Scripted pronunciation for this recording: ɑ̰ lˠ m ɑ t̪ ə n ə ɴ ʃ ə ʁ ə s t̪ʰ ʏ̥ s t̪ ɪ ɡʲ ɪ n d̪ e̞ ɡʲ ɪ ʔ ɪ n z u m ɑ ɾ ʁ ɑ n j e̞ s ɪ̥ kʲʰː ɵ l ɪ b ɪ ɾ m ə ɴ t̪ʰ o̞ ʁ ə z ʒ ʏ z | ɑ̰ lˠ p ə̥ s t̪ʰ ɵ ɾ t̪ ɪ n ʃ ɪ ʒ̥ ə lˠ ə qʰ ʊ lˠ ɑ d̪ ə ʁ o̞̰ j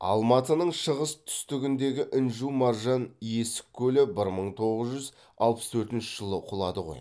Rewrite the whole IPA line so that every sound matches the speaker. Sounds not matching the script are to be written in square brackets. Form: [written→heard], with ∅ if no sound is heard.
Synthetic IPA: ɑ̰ lˠ m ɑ t̪ ə n ə ɴ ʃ ə ʁ ə s t̪ʰ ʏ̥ s t̪ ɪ ɡʲ ɪ n d̪ e̞ ɡʲ ɪ ʔ ɪ n [z→ʒ] u m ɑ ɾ [ʁ→ʒ] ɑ n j e̞ s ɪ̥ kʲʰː ɵ l ɪ b ɪ ɾ m ə ɴ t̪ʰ o̞ ʁ ə z ʒ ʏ z | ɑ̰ lˠ p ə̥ s t̪ʰ ɵ ɾ t̪ ɪ n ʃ ɪ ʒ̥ ə lˠ ə qʰ ʊ lˠ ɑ d̪ ə ʁ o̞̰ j